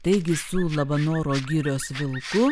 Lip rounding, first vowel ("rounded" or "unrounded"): unrounded